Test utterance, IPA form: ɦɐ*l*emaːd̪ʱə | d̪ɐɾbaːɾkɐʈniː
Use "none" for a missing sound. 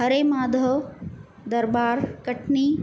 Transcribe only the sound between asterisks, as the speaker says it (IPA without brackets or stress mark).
ɾ